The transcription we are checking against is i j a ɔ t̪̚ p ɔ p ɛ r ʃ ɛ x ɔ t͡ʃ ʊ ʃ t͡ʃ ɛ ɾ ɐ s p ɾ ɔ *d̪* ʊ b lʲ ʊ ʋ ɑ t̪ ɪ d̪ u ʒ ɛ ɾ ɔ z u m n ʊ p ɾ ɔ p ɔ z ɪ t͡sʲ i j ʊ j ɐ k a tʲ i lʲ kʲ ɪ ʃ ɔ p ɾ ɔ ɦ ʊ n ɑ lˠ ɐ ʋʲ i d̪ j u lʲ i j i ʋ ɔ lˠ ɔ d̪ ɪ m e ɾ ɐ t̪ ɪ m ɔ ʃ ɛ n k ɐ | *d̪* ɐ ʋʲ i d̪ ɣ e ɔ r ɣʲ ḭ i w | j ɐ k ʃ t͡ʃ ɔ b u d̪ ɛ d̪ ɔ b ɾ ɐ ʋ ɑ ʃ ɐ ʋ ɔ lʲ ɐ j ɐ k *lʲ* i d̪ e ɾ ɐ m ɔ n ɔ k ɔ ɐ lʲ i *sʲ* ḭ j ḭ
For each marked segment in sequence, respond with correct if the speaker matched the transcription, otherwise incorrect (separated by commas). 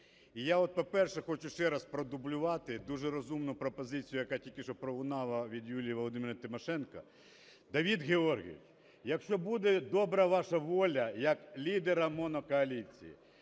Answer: correct, correct, correct, incorrect